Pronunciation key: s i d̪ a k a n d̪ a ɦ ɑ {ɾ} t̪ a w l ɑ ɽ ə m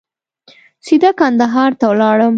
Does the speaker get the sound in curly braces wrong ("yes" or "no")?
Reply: no